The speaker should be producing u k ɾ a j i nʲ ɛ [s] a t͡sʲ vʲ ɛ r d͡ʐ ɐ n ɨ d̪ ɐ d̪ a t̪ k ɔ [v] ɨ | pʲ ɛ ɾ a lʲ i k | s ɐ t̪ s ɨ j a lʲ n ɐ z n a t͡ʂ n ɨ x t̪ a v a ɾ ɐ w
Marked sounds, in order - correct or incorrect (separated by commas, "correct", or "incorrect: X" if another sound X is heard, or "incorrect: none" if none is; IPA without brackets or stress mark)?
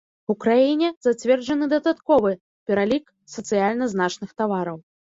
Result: incorrect: z, correct